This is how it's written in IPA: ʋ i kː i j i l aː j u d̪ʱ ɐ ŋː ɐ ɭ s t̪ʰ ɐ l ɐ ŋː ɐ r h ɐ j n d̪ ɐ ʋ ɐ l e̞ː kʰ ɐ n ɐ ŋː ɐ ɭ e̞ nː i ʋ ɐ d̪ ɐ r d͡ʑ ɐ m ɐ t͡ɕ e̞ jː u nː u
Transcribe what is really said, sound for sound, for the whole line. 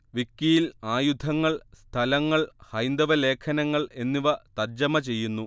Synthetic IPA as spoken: ʋ i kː i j i l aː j u d̪ʱ ɐ ŋː ɐ ɭ s t̪ʰ ɐ l ɐ ŋː ɐ ɭ h ɐ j n d̪ ɐ ʋ ɐ l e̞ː kʰ ɐ n ɐ ŋː ɐ ɭ e̞ nː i ʋ ɐ t̪ ɐ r d͡ʑ ɐ m ɐ t͡ɕ e̞ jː u nː u